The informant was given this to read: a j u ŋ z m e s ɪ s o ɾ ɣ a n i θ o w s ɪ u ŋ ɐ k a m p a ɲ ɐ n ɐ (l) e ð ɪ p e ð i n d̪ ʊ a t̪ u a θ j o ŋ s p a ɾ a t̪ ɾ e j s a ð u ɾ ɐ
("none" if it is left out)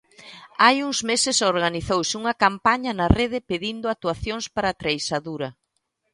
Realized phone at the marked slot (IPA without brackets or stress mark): r